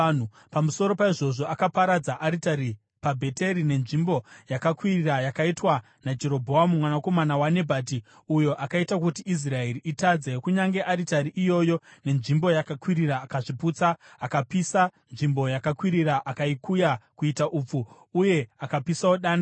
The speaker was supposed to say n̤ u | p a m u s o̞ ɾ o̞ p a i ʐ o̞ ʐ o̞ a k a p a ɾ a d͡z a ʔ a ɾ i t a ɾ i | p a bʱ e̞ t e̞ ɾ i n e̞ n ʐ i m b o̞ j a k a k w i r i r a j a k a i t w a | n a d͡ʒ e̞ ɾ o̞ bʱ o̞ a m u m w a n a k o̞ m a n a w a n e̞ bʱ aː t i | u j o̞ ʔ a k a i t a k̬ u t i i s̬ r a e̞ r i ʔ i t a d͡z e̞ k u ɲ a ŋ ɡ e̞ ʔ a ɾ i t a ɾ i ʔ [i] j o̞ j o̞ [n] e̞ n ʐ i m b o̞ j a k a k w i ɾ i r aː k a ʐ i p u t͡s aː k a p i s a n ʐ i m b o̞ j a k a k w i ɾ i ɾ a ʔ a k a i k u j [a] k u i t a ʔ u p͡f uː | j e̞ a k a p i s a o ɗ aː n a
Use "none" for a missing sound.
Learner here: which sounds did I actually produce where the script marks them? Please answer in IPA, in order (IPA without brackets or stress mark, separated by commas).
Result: i, n, a